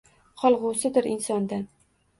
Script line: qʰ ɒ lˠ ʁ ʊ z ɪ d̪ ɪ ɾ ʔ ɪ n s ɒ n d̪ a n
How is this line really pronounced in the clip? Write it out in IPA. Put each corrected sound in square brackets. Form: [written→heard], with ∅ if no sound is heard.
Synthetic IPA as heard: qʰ ɒ lˠ ʁ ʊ [z→s] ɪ d̪ ɪ ɾ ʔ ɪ n s ɒ n d̪ a n